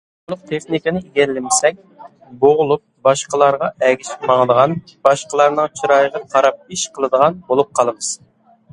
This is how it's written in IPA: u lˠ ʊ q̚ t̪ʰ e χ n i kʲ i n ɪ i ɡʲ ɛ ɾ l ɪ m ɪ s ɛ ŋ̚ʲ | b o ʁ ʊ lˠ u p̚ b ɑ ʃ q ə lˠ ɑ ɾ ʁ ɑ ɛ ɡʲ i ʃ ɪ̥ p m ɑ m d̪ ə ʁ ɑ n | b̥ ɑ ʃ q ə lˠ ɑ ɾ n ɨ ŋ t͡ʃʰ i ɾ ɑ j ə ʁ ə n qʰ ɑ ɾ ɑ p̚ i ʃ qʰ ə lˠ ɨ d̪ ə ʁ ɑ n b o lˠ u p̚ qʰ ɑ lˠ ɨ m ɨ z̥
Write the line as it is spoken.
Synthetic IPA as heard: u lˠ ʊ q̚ t̪ʰ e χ n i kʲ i n ɪ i ɡʲ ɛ ɾ l ɪ m ɪ s ɛ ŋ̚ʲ | b o ʁ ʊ lˠ u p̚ b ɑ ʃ q ə lˠ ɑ ɾ ʁ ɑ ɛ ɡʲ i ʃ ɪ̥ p m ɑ ŋ d̪ ə ʁ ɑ n | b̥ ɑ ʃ q ə lˠ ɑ ɾ n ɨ ŋ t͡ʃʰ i ɾ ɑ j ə ʁ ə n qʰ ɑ ɾ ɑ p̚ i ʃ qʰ ə lˠ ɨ d̪ ə ʁ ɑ n b o lˠ u p̚ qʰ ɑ lˠ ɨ m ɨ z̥